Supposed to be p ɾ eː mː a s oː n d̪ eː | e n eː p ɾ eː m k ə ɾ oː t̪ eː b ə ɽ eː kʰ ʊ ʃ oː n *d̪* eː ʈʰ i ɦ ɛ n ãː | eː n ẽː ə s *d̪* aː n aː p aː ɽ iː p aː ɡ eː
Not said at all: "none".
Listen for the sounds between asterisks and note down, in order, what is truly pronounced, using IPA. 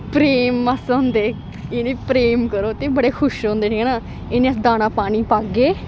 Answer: d̪, d̪

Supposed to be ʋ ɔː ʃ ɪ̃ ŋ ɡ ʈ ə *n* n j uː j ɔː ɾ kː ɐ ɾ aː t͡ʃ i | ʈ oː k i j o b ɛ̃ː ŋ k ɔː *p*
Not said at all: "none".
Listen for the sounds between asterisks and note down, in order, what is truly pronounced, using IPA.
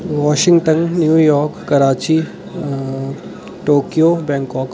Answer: n, k

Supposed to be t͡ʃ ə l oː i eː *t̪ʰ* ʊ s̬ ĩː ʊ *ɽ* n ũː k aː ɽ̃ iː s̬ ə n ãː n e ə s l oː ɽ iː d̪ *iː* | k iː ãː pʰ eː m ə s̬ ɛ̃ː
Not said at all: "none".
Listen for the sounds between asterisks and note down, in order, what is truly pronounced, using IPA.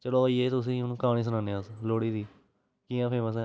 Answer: t̪, none, iː

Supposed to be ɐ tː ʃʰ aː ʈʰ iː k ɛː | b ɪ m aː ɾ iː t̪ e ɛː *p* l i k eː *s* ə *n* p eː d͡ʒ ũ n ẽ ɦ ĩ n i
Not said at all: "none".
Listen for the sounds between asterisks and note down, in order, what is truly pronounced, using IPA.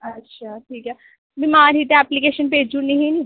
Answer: p, ʃ, n

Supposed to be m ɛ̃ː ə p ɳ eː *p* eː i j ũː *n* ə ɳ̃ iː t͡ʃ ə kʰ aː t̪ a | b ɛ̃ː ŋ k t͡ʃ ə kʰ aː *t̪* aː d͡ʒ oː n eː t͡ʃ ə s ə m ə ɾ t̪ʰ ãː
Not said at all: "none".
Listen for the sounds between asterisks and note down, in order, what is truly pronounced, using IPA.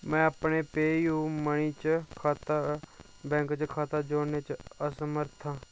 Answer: p, m, t̪

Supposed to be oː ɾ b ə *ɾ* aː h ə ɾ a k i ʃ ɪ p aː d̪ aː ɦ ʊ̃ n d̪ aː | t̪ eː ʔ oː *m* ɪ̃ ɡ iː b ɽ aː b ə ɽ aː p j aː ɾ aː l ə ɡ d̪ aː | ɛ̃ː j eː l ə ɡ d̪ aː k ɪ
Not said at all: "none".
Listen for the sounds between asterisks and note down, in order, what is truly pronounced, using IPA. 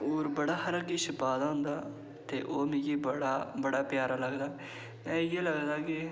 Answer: ɽ, m

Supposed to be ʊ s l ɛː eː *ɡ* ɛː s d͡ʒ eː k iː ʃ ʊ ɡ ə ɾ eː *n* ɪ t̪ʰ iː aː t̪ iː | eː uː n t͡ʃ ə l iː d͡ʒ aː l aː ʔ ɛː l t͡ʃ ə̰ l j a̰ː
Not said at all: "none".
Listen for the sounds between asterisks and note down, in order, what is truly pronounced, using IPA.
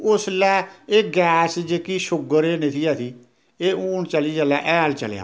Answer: ɡ, n

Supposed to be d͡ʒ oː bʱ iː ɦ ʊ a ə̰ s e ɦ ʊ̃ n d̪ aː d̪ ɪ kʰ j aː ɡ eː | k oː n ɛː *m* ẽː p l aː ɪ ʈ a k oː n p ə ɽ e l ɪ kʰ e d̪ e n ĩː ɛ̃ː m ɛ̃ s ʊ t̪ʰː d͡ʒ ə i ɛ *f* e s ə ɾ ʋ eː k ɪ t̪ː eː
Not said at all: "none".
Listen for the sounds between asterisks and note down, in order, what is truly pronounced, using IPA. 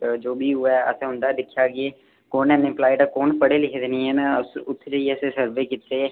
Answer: n, s

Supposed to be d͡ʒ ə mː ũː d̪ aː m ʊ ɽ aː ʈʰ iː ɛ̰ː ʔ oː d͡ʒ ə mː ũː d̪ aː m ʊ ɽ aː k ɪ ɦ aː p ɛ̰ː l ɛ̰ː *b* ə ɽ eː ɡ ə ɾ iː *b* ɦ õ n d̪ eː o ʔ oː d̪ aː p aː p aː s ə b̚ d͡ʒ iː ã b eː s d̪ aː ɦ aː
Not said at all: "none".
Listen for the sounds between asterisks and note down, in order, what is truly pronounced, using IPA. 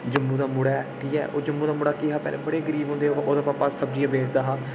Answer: b, b

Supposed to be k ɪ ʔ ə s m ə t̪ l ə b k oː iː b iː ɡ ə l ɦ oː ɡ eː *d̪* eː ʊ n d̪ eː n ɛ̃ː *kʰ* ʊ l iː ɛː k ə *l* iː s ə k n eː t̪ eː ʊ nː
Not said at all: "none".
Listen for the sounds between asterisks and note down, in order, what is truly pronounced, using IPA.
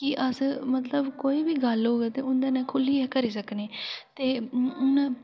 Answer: t̪, kʰ, ɾ

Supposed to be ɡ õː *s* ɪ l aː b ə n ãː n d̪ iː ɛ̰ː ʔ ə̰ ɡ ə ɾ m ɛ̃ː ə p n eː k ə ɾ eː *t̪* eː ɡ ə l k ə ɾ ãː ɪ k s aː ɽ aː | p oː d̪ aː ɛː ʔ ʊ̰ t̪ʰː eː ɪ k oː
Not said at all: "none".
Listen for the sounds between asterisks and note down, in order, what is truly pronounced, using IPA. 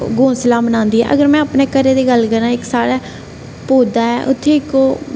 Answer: s, d̪

